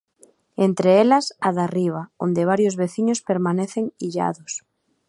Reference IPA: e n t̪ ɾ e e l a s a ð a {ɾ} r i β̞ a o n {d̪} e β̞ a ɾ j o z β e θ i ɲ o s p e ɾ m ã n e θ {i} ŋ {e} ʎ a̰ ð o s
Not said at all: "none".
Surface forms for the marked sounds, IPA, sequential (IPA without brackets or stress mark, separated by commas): none, d̪, e, i